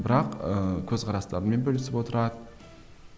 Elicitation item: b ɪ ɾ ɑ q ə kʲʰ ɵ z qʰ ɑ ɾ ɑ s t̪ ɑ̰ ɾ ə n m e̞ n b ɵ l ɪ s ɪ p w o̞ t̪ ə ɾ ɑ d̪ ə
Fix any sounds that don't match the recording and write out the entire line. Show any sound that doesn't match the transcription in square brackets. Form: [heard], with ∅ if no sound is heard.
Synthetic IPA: b ɪ ɾ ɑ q ə kʲʰ ɵ z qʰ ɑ ɾ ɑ s t̪ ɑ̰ ɾ ə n m e̞ n b ɵ l ɪ s ɪ p w o̞ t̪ ə ɾ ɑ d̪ ə